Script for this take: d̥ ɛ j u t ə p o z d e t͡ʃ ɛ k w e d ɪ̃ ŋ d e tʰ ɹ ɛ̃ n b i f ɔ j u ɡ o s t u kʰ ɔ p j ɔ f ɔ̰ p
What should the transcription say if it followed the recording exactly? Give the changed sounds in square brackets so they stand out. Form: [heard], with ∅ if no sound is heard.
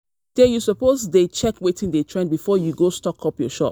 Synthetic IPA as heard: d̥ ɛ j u [s] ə p o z d e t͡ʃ ɛ k w e [t] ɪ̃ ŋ d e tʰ ɹ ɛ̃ n b i f ɔ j u ɡ o s t [ɔ] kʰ ɔ p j ɔ [ʃ] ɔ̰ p